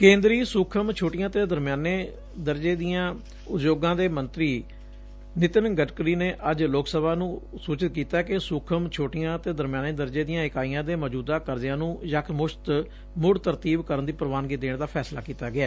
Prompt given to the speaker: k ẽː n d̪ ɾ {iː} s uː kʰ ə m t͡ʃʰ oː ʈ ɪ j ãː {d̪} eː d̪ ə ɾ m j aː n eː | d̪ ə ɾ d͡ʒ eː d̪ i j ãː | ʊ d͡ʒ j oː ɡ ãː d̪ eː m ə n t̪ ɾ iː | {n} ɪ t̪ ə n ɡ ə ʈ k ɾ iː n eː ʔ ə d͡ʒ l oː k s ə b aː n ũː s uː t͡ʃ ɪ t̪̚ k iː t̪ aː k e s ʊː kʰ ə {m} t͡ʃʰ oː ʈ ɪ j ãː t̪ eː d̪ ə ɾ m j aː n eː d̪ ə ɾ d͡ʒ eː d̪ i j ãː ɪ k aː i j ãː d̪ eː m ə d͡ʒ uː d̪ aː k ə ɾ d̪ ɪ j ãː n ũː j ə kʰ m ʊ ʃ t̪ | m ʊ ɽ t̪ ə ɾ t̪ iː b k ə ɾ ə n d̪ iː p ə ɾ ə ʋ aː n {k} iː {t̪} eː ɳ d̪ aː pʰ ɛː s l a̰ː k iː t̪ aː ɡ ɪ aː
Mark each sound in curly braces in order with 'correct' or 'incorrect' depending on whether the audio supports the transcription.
correct, incorrect, correct, correct, incorrect, incorrect

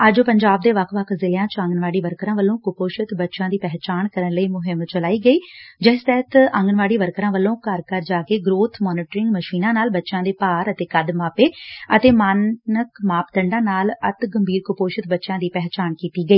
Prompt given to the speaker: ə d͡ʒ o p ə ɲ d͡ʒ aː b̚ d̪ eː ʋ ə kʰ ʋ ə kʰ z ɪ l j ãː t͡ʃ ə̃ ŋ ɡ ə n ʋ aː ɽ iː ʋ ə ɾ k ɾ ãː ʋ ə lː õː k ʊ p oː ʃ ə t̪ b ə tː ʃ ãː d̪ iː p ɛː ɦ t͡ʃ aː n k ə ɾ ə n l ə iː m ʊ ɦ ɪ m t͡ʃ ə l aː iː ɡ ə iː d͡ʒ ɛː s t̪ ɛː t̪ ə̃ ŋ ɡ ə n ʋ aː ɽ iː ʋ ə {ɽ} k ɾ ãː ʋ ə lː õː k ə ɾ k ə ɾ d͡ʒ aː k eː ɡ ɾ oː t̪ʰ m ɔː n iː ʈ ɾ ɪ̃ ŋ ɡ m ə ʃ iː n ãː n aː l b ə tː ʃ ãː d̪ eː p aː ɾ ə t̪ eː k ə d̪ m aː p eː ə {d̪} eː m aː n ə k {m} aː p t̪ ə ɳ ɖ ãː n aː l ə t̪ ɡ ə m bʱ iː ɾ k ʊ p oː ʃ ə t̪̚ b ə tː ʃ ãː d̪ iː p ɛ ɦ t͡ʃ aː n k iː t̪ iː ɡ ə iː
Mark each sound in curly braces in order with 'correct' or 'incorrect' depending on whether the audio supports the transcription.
incorrect, incorrect, correct

